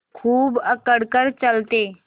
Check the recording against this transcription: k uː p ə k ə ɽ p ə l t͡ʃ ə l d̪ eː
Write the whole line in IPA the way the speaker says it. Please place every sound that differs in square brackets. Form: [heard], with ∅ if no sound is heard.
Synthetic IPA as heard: [kʰ] uː [b] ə k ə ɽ [k] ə [ɾ] t͡ʃ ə l [t̪] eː